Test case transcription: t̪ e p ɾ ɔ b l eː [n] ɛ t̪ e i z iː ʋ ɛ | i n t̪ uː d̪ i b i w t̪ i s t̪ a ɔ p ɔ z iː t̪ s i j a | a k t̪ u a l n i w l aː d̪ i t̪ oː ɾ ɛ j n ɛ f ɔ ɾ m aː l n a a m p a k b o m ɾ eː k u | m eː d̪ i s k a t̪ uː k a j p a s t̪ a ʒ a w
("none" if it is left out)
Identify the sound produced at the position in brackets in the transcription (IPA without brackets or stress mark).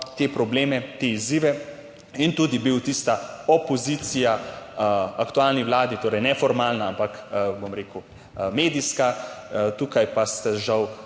m